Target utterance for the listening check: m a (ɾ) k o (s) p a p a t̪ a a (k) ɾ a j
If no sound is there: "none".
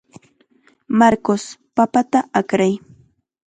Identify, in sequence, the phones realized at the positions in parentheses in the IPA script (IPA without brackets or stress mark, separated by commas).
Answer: ɾ, s, k